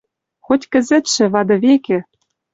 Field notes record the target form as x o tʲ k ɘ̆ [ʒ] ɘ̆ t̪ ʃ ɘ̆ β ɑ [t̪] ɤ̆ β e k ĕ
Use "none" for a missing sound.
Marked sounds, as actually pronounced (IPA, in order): z, d̪

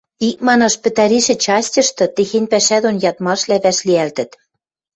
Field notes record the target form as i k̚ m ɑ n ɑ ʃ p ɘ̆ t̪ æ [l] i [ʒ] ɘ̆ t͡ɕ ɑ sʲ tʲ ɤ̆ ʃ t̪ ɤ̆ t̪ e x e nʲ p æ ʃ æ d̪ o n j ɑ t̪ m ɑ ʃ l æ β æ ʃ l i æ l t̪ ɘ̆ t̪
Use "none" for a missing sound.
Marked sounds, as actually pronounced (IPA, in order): ɾ, ʃ

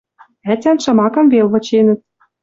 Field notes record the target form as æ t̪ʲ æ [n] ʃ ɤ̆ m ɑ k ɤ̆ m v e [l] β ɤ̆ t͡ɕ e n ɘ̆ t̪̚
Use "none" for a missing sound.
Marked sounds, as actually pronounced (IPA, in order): n, l

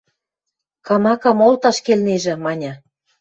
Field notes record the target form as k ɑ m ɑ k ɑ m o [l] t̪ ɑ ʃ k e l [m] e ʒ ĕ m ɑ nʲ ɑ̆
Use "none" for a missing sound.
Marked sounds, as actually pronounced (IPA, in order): l, n

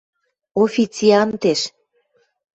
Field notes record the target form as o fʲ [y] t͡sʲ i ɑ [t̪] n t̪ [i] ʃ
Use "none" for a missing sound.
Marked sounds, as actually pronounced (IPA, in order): i, none, e

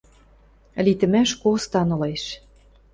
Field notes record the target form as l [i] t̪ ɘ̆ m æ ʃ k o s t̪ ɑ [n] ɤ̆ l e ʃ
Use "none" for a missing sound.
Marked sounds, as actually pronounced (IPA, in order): i, n

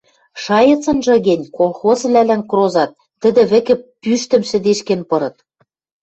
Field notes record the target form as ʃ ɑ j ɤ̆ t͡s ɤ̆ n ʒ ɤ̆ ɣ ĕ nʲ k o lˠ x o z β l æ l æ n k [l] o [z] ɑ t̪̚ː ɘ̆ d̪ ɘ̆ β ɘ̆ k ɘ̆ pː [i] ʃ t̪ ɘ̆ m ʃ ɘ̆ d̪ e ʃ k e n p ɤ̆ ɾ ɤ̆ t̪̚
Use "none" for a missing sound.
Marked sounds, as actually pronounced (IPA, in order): r, z, y

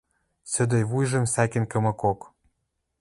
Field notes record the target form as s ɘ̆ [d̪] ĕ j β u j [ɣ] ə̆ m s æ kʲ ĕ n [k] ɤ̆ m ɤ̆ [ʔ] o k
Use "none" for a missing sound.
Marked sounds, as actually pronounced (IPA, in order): d̪, ʒ, k, k

